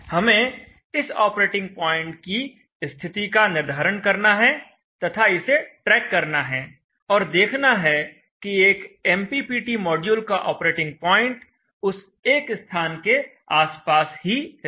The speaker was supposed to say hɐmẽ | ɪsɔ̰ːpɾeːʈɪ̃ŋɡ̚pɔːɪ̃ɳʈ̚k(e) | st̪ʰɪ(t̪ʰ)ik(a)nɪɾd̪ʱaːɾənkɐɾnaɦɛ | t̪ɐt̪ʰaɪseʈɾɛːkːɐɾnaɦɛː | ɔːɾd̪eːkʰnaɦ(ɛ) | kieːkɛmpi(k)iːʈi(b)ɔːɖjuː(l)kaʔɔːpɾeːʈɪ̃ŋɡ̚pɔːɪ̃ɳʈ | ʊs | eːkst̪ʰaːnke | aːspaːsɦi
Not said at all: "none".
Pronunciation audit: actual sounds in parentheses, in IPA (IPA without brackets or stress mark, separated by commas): i, t̪, a, ɛ, p, m, l